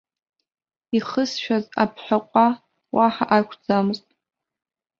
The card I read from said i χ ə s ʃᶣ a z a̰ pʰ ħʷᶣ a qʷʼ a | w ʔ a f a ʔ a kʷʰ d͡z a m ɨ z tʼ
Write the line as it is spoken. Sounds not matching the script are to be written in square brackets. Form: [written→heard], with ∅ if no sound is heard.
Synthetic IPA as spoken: i χ ə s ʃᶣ a z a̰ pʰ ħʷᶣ a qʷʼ a | w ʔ a [f→ħ] a ʔ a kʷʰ d͡z a m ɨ z tʼ